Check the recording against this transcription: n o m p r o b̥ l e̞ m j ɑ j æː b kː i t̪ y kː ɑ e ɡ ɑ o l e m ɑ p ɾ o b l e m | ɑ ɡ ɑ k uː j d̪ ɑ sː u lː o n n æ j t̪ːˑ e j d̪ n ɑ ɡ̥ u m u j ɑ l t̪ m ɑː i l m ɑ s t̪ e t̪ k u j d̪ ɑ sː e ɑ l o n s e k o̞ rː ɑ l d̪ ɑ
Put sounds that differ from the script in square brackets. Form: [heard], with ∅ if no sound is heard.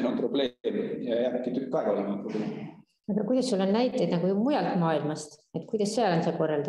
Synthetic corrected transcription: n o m p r o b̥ l e̞ m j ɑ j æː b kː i t̪ y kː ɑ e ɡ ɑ o l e m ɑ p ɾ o b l e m | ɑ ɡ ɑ k [u] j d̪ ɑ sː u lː o n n æ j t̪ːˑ e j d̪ n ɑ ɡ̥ u m u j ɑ l t̪ m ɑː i l m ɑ s t̪ e t̪ k u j d̪ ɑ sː e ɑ l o n s e k o̞ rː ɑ l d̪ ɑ